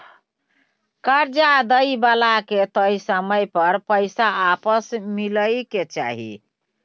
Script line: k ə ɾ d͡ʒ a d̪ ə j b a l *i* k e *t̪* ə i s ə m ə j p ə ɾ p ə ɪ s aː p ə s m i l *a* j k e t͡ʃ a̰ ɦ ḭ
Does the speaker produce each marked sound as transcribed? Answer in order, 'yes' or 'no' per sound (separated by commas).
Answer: no, yes, no